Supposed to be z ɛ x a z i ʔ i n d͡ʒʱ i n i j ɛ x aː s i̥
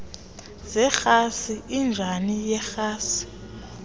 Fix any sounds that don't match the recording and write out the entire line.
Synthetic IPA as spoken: z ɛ x a s i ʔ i n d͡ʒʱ a n i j ɛ x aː s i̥